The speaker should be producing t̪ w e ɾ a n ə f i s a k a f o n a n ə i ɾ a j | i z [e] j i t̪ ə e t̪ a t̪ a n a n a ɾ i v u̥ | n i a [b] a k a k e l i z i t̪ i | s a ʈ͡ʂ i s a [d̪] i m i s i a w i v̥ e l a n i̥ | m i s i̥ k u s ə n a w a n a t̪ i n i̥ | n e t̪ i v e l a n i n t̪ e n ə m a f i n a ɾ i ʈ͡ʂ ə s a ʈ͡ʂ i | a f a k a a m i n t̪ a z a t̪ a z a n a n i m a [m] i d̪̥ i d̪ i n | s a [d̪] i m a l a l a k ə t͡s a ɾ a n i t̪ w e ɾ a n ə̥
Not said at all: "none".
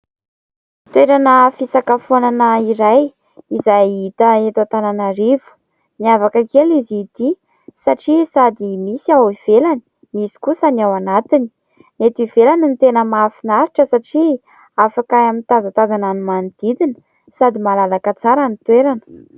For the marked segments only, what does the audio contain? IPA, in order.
a, v, d̪, n, d̪

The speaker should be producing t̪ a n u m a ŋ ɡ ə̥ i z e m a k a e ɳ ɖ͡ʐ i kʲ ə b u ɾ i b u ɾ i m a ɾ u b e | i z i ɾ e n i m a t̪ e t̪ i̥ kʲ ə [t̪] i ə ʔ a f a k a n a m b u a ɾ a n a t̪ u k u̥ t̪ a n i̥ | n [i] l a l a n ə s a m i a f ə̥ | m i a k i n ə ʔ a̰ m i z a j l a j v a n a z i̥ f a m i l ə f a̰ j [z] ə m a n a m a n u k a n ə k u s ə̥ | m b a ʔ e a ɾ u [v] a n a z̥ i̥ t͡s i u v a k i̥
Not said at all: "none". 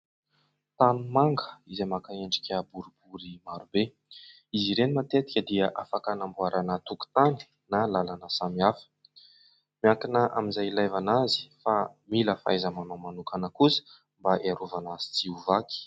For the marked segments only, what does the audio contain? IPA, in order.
d̪, a, z, v

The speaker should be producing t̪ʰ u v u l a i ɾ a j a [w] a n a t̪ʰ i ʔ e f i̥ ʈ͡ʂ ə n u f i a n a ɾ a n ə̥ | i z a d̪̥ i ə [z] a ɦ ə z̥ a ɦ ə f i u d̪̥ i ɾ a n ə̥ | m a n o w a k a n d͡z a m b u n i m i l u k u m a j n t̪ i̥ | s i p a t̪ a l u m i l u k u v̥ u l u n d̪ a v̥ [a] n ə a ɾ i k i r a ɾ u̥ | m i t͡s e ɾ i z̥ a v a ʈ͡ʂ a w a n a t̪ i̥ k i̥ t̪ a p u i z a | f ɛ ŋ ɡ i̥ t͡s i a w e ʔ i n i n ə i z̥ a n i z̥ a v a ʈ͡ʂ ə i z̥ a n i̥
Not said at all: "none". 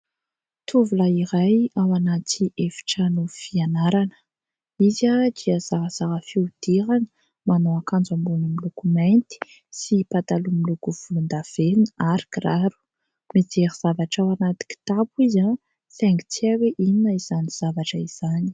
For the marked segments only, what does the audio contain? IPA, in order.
w, z, e

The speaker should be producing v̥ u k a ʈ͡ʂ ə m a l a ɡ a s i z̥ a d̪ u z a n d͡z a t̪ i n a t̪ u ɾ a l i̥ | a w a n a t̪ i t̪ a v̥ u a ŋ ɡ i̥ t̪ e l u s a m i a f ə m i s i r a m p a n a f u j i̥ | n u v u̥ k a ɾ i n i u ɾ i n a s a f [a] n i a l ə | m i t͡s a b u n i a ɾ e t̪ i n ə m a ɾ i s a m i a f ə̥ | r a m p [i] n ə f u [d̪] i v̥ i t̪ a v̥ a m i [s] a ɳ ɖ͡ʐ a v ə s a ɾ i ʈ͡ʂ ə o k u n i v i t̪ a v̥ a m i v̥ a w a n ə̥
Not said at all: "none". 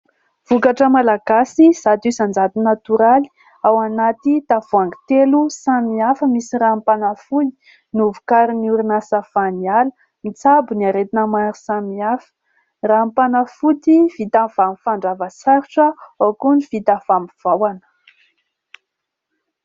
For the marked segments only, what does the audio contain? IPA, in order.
a, a, t̪, f

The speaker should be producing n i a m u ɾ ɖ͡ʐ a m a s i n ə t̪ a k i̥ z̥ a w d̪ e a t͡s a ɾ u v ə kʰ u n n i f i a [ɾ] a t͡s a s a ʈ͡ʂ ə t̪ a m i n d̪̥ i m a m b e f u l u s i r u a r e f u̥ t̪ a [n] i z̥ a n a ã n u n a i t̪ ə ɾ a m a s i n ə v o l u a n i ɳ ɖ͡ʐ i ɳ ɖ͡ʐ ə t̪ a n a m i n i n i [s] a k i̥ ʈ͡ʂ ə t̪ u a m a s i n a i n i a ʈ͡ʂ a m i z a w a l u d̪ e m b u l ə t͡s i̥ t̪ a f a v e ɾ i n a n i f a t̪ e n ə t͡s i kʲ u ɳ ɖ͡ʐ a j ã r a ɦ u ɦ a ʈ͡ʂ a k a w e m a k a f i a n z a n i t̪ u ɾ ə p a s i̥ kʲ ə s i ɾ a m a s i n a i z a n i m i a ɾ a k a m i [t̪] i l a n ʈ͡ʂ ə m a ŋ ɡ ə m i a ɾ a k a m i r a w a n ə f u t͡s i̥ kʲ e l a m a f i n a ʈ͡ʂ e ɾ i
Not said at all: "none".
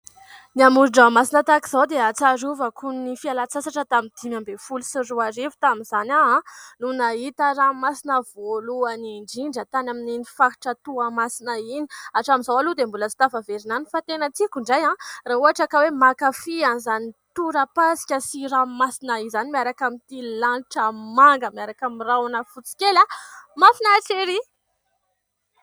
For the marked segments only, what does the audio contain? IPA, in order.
l, m, f, t̪

